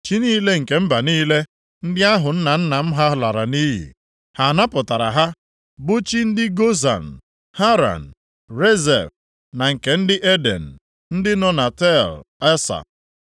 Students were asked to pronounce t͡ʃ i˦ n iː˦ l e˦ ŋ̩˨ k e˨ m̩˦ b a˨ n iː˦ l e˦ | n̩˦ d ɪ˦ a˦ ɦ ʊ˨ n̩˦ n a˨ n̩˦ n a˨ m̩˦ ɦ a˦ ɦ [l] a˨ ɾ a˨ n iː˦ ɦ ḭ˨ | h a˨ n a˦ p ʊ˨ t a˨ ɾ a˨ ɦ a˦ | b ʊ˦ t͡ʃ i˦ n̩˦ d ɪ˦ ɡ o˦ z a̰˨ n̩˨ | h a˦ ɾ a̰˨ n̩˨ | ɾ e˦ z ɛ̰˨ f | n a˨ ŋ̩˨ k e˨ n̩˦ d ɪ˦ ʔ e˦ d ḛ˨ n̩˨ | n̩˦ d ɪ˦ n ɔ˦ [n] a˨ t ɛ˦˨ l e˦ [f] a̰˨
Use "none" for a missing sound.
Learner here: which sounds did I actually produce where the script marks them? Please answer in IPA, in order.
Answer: l, n, s

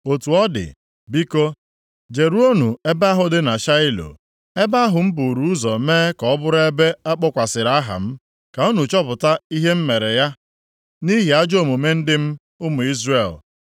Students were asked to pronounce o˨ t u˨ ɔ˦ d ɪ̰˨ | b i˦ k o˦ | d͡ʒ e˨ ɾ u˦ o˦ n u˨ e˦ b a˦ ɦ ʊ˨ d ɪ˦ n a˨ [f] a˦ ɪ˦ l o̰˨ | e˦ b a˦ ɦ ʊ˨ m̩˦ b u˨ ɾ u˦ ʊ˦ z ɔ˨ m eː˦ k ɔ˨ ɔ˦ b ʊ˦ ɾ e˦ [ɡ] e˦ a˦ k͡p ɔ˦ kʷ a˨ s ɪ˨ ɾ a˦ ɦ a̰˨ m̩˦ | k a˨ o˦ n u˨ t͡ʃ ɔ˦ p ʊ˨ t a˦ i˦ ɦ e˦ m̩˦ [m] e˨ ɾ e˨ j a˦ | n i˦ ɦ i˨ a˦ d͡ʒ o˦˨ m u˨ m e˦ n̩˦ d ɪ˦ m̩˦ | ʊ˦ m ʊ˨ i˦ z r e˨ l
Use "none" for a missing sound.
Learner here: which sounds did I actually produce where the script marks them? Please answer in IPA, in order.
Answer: ʃ, b, m

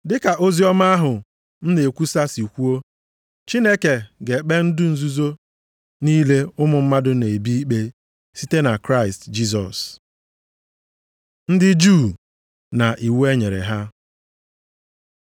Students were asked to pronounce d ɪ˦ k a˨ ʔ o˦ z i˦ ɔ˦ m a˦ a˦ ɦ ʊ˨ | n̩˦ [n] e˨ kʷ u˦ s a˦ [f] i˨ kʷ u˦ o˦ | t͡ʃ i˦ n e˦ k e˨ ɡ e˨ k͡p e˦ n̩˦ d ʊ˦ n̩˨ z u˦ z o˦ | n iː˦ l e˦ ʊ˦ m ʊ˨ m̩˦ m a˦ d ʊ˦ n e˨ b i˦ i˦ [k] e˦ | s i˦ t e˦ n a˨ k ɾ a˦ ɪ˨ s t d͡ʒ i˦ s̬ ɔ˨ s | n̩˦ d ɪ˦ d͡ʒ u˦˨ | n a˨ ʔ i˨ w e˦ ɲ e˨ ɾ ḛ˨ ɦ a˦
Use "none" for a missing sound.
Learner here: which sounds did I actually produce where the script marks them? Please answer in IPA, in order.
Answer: n, s, k͡p

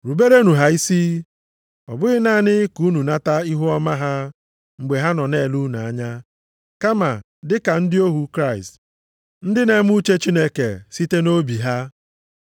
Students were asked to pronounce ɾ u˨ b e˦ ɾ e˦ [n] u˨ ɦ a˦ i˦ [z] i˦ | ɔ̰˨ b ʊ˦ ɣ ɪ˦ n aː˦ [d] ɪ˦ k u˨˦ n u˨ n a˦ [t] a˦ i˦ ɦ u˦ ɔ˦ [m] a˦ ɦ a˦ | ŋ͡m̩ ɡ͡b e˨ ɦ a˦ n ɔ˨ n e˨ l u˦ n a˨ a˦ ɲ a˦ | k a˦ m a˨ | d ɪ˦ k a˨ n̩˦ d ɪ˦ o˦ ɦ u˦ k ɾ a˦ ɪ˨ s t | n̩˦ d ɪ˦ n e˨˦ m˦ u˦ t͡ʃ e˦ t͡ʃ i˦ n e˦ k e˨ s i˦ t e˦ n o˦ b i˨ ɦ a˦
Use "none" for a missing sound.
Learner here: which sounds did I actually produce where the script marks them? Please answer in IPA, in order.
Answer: n, s, n, t, m

